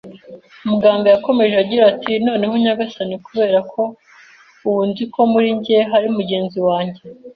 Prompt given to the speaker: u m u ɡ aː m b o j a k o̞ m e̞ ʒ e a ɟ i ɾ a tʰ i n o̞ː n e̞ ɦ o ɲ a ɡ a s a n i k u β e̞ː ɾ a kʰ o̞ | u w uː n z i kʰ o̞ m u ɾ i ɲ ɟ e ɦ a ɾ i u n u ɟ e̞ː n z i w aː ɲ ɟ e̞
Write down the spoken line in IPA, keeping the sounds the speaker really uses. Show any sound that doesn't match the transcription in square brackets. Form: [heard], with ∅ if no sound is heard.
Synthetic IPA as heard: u m u ɡ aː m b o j a k o̞ m e̞ ʒ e a ɟ i ɾ a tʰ i n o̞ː n e̞ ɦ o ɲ a ɡ a s a n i k u β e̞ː ɾ a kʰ o̞ | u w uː n z i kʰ o̞ m u ɾ i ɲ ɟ e ɦ a ɾ i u [m] u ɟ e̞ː n z i w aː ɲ ɟ e̞